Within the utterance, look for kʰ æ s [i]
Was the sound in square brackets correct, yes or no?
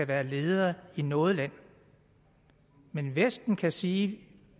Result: no